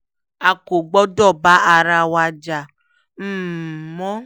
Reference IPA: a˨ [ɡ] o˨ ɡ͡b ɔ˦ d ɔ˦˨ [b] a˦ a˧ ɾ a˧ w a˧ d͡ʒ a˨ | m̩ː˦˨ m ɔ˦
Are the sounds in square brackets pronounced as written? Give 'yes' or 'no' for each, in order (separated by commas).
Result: no, yes